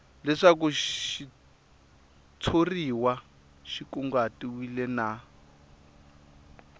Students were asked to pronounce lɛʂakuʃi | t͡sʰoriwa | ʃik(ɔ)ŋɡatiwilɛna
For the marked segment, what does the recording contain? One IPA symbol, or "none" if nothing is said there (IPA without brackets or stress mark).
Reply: u